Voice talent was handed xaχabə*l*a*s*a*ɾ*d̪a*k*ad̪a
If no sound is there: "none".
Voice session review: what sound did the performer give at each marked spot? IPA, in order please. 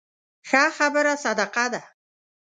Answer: ɾ, s, none, q

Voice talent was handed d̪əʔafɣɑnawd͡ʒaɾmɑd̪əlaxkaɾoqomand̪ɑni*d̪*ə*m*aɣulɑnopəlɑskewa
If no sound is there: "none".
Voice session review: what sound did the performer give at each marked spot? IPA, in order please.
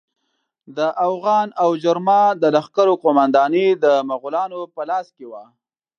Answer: d̪, m

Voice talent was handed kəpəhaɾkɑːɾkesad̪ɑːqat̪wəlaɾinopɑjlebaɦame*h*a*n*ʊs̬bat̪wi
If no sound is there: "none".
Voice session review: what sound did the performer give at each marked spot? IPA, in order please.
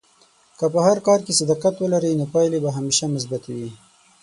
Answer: ʃ, m

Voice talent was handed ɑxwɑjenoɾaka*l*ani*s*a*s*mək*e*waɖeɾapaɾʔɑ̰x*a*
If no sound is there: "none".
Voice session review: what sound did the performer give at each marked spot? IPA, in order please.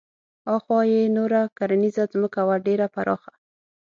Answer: ɾ, z, z, a, a

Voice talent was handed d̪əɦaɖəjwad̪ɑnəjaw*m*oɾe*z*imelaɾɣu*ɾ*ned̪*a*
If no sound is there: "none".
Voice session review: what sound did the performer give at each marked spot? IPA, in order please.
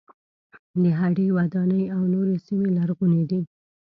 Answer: n, s, none, i

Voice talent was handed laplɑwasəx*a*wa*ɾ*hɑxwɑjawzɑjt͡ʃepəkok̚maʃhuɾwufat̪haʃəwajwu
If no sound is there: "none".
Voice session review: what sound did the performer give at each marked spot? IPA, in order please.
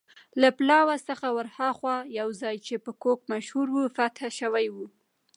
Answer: a, ɾ

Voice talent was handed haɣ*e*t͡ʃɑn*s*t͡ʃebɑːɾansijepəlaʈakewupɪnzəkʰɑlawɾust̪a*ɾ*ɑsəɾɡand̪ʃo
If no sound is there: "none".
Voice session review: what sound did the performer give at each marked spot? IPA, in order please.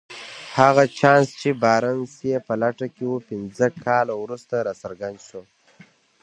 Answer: a, s, ɾ

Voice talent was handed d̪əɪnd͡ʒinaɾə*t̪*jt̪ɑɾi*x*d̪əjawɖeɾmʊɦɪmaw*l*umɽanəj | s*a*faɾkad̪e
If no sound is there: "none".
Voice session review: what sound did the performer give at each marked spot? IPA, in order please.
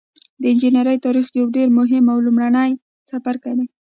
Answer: none, x, l, a

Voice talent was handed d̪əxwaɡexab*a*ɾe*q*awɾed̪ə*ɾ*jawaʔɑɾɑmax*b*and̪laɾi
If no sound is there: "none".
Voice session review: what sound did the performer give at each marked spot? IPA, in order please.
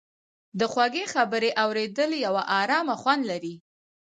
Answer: ə, ʔ, l, w

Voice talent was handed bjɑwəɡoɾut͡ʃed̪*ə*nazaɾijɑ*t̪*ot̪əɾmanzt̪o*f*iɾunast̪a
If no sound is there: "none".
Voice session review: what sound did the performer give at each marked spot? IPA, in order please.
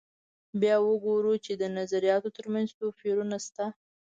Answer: ə, t̪, f

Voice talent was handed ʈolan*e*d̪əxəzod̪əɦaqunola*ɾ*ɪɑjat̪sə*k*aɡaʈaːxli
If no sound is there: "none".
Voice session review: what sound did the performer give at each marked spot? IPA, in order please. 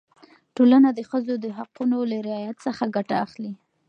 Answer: a, ɾ, x

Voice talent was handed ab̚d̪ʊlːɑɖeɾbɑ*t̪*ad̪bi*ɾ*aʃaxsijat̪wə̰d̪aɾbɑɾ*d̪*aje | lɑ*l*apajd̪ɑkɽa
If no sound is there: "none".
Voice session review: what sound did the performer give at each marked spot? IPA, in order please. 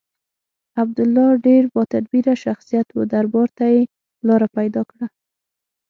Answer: t̪, ɾ, t̪, ɾ

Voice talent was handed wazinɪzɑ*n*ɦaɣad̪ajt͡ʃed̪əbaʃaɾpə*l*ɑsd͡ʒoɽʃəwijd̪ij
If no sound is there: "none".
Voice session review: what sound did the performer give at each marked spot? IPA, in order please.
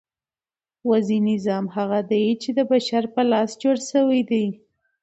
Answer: m, l

